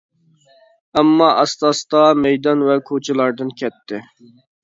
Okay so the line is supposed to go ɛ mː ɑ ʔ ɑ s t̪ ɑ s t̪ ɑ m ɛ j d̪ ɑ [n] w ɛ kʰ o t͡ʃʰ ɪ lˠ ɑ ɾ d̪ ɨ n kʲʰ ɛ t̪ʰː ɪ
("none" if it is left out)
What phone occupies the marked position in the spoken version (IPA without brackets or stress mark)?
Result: n